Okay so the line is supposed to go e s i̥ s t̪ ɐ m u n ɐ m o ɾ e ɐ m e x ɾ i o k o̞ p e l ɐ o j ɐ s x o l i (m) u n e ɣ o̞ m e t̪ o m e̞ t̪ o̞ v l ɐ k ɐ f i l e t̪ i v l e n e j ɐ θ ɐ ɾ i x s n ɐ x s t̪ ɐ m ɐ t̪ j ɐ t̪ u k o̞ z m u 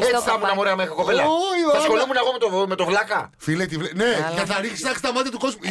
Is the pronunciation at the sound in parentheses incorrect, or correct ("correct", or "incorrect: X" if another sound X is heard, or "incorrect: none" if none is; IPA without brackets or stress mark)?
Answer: correct